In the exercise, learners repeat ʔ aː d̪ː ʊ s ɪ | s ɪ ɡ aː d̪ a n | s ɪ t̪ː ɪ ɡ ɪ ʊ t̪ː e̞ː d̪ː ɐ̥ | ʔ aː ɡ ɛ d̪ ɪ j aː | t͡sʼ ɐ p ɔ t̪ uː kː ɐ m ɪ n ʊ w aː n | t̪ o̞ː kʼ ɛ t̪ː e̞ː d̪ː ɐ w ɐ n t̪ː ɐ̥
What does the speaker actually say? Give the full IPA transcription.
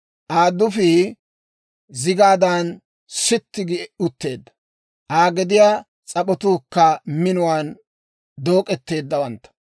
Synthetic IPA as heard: ʔ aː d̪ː ʊ f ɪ | z ɪ ɡ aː d̪ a n | s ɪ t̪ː ɪ ɡ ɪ ʊ t̪ː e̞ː d̪ː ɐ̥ | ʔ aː ɡ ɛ d̪ ɪ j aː | t͡sʼ ɐ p ɔ t̪ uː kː ɐ m ɪ n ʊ w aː n | d̪ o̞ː kʼ ɛ t̪ː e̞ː d̪ː ɐ w ɐ n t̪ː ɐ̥